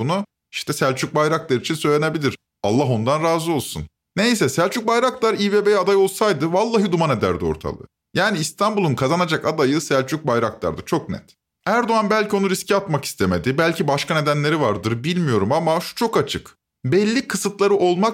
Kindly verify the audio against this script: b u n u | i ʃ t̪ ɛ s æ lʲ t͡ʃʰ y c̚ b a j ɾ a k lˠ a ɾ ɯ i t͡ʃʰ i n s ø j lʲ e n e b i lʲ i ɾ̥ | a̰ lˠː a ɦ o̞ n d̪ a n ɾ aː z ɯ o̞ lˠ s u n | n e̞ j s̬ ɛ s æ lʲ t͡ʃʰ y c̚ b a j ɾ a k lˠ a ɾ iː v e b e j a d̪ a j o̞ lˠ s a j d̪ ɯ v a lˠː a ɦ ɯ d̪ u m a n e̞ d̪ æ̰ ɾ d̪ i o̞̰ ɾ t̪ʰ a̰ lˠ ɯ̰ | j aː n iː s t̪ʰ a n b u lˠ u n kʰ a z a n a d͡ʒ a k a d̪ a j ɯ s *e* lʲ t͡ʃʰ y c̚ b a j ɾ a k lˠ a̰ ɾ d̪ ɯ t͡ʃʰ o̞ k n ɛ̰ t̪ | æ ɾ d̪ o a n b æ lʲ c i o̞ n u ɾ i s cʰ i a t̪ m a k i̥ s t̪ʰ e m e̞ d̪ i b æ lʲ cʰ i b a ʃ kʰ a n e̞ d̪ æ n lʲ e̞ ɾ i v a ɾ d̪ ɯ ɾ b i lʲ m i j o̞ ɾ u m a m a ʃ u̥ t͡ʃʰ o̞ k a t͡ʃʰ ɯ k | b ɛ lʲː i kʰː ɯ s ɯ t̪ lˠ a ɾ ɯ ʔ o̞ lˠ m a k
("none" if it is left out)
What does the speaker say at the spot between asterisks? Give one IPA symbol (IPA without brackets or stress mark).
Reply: æ